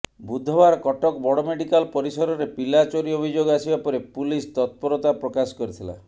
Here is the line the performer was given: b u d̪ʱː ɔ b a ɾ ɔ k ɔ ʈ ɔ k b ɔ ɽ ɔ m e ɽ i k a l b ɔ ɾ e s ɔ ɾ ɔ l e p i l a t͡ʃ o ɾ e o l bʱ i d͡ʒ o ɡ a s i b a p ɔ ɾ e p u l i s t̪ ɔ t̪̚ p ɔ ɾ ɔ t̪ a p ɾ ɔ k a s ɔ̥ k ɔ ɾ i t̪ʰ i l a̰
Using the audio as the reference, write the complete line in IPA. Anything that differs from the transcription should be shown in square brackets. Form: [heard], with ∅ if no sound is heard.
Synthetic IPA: b u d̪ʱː ɔ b a ɾ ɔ k ɔ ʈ ɔ k b ɔ ɽ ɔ m e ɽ i k a l [p] ɔ ɾ [i] s ɔ ɾ ɔ [ɾ] e p i l a t͡ʃ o ɾ [i] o [∅] bʱ i d͡ʒ o ɡ a s i b a p ɔ ɾ e p u l i s t̪ ɔ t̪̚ p ɔ ɾ ɔ t̪ a p ɾ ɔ k a s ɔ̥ k ɔ ɾ i t̪ʰ i l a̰